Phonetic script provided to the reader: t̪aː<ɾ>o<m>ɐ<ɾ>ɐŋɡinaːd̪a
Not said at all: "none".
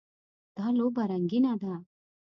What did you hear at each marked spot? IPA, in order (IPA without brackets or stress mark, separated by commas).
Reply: l, b, ɾ